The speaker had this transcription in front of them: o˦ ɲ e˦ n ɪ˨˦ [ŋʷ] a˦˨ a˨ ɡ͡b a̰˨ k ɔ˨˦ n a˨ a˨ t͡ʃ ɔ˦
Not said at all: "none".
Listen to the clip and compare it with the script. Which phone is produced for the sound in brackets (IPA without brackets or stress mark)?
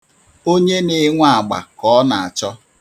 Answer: ŋʷ